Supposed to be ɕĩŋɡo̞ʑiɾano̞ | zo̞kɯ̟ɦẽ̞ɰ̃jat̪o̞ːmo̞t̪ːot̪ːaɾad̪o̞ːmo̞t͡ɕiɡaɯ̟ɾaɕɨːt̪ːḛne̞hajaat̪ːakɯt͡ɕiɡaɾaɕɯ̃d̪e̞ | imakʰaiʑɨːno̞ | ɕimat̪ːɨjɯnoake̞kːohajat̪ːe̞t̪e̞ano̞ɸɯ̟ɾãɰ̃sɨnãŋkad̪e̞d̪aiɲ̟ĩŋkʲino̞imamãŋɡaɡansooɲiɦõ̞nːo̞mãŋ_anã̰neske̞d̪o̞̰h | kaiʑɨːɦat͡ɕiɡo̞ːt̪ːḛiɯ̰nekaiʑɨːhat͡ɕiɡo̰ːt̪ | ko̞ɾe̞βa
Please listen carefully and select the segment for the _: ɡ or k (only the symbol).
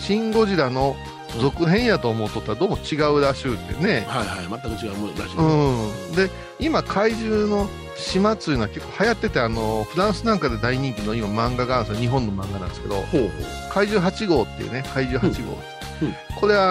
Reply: ɡ